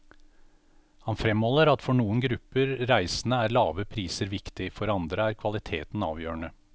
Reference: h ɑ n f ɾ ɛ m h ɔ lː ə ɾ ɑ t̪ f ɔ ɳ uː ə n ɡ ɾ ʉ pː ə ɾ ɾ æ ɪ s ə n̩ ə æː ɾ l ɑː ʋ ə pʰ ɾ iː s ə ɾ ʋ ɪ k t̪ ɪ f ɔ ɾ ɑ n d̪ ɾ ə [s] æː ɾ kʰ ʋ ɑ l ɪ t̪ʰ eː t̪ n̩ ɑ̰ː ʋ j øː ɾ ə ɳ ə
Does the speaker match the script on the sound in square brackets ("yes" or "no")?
no